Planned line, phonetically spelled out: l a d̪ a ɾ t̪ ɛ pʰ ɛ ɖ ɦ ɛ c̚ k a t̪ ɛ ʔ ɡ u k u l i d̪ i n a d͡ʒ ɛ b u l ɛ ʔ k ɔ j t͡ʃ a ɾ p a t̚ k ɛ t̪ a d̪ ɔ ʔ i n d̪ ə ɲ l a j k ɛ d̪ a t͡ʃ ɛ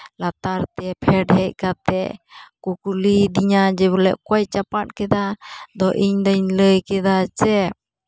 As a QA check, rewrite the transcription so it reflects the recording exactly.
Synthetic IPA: l a t̪ a ɾ t̪ ɛ pʰ ɛ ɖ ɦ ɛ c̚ k a t̪ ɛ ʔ k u k u l i d̪ i ɲ a d͡ʒ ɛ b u l ɛ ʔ k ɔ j t͡ʃ a p a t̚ k ɛ d̪ a d̪ ɔ ʔ i ɲ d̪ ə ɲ l ə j k ɛ d̪ a t͡ʃ ɛ